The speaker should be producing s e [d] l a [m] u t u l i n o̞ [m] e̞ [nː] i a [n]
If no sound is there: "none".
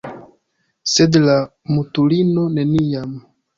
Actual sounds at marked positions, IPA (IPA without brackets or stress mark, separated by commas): d, m, n, n, m